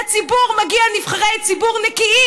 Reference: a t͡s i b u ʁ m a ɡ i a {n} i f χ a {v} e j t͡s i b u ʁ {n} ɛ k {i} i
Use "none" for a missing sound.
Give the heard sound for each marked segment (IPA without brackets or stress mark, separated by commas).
n, ʁ, n, i